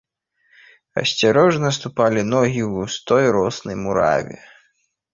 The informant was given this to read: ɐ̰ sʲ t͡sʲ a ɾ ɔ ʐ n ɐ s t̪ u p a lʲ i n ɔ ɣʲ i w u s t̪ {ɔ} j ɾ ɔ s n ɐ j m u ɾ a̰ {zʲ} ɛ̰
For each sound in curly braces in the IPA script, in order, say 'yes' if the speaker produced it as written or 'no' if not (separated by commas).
yes, no